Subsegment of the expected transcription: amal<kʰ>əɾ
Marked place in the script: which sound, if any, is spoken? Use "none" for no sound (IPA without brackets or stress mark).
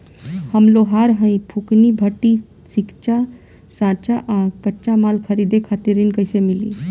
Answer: kʰ